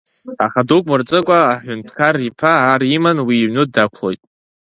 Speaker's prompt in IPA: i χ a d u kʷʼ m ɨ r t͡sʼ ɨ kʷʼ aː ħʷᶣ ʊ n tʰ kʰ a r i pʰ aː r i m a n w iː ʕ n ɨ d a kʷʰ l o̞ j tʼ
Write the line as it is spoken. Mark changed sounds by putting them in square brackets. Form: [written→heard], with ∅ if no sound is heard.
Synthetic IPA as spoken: [i→a] χ a d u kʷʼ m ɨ r t͡sʼ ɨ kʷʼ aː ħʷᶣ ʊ n tʰ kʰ a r i pʰ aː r i m a n w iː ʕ n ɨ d a kʷʰ l o̞ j tʼ